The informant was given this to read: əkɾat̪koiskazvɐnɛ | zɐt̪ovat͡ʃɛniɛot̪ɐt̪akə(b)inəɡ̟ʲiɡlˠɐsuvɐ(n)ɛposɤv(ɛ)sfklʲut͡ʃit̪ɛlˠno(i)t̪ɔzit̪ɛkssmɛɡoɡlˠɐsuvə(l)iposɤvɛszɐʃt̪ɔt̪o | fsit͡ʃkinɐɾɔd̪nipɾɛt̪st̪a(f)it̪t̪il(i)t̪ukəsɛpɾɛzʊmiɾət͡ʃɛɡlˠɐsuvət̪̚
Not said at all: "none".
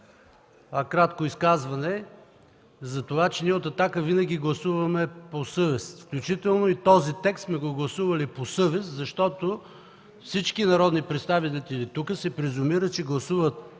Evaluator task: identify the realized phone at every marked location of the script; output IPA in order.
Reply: v, m, ɛ, i, l, v, i

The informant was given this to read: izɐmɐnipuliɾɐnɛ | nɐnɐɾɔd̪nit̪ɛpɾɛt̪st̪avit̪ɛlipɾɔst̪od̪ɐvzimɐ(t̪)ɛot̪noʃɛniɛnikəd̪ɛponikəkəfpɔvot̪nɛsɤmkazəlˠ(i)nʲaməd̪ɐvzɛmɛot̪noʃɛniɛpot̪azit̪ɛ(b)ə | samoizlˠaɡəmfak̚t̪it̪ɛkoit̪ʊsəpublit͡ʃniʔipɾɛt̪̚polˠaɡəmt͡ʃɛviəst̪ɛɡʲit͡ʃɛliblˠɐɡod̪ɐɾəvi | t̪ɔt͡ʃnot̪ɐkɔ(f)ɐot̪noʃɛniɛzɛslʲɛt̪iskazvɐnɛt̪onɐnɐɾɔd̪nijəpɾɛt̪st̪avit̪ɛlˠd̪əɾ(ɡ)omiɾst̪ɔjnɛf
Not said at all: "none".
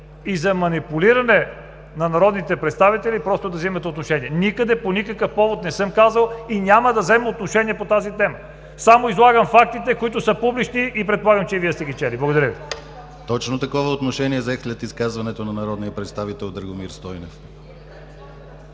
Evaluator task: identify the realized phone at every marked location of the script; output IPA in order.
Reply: t̪, i, m, v, ɡ

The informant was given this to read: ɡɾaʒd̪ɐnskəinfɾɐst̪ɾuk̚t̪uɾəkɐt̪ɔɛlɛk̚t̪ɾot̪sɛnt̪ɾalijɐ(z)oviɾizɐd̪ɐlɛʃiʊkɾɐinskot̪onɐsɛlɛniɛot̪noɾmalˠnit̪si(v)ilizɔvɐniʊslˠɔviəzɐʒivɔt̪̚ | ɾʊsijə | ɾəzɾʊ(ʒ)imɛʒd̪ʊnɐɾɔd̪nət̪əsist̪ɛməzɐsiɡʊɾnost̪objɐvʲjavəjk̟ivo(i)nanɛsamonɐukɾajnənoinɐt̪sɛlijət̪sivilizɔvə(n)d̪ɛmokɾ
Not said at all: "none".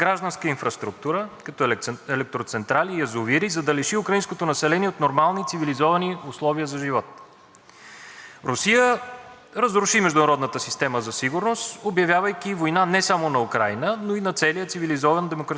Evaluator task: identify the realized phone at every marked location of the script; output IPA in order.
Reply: z, v, ʃ, j, n

